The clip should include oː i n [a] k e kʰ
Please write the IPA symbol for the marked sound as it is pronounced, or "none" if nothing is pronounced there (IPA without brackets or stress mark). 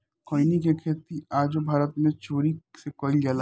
i